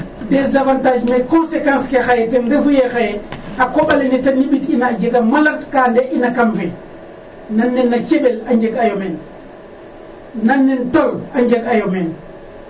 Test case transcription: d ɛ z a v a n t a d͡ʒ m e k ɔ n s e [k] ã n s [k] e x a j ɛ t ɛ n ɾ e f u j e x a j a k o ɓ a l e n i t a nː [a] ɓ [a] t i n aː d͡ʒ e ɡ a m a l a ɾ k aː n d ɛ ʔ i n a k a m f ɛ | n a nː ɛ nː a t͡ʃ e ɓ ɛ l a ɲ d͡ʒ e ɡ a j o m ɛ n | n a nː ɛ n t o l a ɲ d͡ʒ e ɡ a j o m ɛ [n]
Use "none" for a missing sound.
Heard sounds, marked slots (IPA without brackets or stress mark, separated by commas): k, k, i, i, n